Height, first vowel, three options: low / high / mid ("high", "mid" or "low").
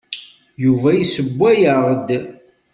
high